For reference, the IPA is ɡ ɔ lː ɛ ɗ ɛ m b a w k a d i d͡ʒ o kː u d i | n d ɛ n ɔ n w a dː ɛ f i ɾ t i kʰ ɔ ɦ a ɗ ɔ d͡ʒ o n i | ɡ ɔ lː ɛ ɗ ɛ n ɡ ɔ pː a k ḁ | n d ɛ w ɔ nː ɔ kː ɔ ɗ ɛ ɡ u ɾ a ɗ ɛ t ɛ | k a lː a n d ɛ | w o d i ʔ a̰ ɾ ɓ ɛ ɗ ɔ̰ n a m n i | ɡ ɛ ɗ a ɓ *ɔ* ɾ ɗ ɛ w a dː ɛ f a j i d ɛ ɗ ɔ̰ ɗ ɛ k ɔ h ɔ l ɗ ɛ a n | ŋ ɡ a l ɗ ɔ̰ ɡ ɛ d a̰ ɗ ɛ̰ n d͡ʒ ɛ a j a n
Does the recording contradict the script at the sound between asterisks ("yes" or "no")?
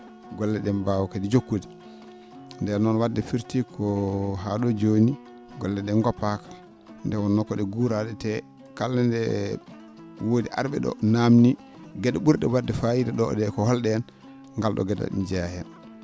yes